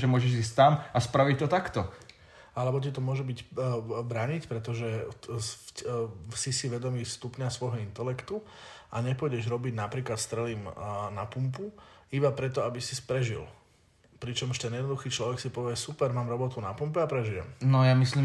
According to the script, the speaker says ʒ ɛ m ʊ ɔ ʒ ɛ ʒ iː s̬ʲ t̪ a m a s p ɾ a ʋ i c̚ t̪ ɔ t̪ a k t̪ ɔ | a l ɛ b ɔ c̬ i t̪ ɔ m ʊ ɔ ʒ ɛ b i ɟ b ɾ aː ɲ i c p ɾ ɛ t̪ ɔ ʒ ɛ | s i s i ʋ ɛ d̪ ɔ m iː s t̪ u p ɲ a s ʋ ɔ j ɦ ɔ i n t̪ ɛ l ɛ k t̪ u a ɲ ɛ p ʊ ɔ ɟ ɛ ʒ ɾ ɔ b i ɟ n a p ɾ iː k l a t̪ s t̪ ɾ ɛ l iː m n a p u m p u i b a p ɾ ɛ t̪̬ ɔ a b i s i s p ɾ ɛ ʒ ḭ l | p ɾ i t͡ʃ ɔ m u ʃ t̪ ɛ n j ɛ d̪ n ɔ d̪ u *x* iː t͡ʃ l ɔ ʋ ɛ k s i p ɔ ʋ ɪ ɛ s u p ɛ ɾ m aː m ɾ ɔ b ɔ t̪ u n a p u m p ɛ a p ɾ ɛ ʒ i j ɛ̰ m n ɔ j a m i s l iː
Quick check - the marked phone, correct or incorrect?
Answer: correct